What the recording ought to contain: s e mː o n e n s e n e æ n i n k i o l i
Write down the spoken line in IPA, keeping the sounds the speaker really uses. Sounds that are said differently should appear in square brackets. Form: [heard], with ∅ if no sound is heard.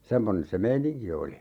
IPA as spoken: s e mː o n e n s e [m] e [i] n i [ŋ] k i o l i